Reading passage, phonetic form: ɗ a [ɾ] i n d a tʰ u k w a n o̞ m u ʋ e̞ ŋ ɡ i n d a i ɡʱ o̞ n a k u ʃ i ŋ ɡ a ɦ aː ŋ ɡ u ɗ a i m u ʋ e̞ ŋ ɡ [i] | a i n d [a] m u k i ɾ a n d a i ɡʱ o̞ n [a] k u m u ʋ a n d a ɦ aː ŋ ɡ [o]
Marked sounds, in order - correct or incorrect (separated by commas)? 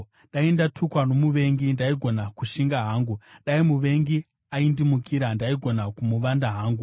incorrect, correct, incorrect, correct, incorrect